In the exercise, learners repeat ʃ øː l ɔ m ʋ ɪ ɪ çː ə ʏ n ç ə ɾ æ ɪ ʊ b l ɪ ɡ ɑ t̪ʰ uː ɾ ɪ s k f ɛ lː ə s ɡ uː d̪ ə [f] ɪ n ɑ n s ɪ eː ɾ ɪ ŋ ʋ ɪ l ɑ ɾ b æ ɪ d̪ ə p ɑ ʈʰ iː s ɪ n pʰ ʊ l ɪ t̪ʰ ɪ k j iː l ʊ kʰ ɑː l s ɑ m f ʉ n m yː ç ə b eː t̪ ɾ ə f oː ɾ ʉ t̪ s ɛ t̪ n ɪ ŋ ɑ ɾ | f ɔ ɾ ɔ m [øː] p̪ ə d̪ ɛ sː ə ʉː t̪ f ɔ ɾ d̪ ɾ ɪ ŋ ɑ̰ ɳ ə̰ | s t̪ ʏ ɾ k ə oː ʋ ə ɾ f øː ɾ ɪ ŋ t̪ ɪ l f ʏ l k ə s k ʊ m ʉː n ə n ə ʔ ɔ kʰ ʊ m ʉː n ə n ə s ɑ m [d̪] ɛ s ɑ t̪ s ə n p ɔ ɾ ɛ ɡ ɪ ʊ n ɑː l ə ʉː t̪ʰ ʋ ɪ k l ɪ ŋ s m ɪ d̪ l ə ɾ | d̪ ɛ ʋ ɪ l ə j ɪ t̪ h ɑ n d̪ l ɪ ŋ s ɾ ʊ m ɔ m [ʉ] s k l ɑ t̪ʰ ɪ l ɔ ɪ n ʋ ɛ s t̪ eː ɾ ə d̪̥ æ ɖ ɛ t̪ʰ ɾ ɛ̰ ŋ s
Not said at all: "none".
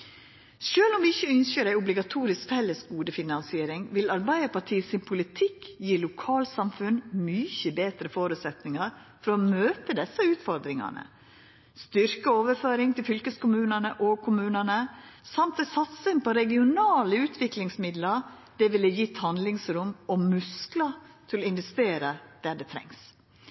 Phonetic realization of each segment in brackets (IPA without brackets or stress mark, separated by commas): f, øː, t̪, ʉ